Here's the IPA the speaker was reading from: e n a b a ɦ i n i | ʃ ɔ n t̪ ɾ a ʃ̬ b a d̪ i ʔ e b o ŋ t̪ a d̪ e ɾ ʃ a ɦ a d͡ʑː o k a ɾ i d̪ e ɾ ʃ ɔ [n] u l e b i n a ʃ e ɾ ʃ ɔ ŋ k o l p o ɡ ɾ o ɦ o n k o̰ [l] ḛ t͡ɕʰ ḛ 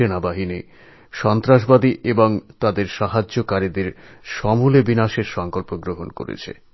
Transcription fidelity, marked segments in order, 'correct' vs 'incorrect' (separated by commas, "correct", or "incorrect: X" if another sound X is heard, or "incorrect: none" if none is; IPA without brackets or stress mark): incorrect: m, incorrect: ɾ